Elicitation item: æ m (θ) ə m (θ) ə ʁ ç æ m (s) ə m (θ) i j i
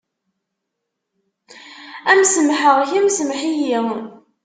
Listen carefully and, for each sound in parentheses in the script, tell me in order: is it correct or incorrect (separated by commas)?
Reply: incorrect, incorrect, correct, incorrect